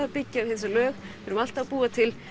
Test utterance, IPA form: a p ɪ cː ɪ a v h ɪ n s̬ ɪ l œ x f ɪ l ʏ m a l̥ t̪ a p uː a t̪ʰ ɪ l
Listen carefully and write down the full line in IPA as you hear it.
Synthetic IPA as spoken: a p ɪ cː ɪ a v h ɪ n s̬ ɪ l œː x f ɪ ɾ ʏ m a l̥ t̪ a p uː a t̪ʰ ɪ l